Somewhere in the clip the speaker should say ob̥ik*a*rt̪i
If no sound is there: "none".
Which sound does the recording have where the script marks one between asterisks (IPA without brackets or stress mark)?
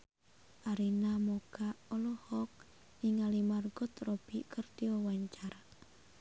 ə